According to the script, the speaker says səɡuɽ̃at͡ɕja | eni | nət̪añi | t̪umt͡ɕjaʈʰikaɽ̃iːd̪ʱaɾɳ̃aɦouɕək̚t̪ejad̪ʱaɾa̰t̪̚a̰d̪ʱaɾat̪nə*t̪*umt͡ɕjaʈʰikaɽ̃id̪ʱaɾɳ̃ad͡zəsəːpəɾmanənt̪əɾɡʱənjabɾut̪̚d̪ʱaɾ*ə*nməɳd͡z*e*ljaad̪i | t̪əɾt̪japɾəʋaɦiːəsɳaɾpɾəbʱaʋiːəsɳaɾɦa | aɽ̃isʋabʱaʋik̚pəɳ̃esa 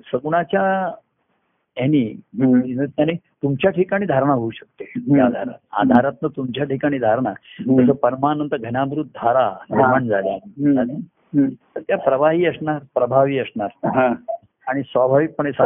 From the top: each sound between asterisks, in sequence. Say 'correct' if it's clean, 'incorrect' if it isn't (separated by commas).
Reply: correct, incorrect, incorrect